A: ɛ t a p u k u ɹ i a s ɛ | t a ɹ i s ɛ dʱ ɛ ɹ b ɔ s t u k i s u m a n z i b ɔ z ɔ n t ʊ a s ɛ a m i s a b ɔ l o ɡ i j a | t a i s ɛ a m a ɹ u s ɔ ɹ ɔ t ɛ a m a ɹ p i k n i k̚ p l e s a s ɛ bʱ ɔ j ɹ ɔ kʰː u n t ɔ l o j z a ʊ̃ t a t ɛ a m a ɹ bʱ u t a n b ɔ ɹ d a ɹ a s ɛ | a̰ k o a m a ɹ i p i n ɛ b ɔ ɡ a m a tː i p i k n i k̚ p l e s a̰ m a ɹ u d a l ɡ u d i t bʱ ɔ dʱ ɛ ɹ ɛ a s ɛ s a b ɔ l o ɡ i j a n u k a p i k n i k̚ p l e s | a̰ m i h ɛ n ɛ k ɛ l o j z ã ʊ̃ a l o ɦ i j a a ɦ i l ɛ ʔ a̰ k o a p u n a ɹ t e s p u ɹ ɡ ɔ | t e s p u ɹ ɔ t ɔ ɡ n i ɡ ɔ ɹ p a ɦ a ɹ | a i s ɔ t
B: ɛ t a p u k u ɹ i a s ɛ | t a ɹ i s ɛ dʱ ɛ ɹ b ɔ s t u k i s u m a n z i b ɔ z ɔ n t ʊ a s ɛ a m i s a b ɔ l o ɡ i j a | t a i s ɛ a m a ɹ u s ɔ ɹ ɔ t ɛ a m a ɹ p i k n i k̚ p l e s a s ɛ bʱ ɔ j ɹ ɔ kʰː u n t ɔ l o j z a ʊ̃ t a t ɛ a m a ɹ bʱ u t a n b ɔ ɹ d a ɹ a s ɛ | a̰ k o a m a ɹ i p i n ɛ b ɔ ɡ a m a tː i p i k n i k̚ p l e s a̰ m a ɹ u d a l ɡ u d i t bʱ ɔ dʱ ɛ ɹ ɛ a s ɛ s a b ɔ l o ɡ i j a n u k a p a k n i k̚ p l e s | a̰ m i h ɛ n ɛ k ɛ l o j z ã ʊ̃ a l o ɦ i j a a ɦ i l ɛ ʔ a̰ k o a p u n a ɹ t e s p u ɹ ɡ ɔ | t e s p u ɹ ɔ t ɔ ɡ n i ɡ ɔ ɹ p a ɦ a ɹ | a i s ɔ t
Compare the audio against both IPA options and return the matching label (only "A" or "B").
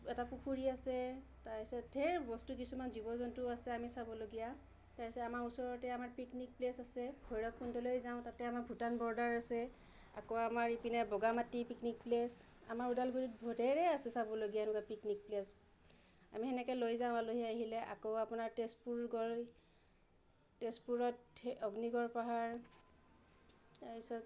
A